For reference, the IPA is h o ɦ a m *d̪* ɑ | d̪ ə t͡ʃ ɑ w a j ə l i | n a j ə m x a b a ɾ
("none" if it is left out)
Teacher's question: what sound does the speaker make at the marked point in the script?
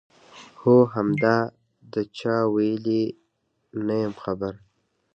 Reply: d̪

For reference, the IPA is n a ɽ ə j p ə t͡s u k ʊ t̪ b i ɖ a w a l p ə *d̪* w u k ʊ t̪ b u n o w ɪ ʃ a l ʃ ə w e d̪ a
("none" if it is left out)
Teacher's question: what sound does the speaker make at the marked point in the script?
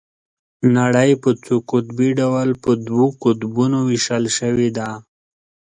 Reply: d̪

